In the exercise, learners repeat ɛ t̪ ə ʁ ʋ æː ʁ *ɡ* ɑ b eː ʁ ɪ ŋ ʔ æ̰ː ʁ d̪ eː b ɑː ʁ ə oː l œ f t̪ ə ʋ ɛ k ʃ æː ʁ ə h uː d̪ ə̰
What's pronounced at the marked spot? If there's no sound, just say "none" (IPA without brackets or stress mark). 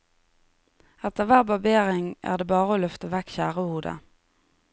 b